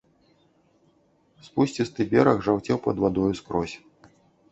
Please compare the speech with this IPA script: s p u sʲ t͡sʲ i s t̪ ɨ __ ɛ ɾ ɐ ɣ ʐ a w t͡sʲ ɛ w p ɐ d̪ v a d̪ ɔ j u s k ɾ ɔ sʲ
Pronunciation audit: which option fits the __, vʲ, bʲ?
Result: bʲ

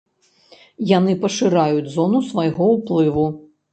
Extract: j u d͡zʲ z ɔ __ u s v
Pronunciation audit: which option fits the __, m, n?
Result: n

